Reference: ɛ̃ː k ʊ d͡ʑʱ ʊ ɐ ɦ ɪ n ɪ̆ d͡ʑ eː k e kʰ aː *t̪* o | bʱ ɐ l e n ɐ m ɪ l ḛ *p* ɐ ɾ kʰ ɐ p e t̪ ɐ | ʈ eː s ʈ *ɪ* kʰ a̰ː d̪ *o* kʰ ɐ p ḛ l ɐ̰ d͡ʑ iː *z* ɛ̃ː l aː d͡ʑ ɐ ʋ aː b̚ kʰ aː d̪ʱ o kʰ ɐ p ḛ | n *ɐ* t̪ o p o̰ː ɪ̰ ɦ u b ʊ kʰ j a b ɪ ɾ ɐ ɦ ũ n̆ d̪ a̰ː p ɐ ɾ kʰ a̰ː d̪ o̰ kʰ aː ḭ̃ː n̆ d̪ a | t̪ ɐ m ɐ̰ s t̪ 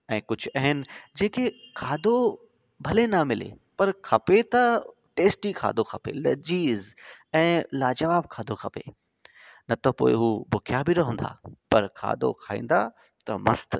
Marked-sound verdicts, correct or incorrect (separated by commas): incorrect, correct, incorrect, correct, correct, correct